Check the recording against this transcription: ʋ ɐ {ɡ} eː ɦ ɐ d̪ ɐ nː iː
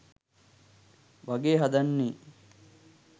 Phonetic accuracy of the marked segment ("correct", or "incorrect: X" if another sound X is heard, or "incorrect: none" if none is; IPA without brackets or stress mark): correct